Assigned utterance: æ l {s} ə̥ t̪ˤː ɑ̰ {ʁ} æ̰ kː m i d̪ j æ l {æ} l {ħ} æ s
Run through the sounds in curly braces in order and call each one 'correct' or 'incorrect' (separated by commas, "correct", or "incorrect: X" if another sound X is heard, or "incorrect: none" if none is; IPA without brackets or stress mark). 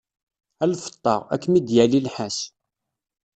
incorrect: f, correct, incorrect: i, correct